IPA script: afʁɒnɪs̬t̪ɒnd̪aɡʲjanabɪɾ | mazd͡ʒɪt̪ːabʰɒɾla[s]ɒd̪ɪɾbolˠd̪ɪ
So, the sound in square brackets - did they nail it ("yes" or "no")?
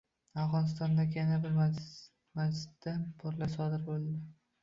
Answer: yes